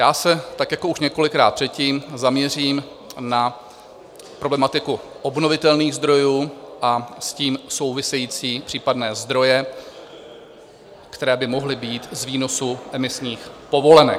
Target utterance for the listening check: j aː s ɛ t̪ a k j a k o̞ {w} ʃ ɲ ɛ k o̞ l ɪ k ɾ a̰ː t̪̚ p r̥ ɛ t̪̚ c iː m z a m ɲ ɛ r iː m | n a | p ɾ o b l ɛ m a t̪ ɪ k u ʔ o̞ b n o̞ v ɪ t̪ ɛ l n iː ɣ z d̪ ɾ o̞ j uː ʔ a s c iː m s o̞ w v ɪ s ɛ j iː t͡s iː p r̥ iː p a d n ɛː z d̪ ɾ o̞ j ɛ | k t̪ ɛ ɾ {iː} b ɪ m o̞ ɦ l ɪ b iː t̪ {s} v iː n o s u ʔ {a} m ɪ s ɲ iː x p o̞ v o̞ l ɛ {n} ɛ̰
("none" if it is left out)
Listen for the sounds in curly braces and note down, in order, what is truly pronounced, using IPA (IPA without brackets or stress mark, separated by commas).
u, ɛː, z, ɛ, n